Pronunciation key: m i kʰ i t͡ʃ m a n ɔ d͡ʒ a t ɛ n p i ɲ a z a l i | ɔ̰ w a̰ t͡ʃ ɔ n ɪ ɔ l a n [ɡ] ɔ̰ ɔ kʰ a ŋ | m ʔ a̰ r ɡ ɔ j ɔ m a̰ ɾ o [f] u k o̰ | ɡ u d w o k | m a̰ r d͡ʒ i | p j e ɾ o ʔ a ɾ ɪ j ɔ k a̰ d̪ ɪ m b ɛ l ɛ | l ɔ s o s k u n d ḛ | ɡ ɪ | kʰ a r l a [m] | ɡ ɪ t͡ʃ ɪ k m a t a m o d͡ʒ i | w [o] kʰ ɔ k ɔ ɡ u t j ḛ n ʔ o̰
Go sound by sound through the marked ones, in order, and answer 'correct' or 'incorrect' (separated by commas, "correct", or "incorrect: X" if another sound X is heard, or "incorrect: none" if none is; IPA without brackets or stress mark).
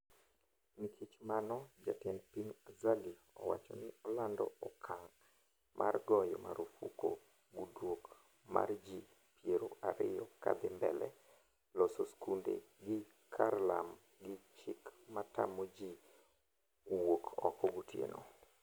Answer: incorrect: d, correct, correct, correct